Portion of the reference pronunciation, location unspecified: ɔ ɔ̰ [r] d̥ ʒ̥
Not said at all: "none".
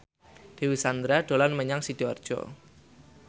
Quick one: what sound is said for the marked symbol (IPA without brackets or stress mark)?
r